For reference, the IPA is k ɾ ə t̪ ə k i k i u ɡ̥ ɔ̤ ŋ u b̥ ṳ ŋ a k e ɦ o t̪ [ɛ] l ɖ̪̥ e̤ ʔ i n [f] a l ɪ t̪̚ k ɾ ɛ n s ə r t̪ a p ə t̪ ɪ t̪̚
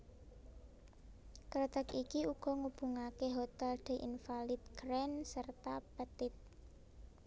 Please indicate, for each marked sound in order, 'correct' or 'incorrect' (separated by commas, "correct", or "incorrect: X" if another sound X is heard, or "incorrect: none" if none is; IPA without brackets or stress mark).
correct, correct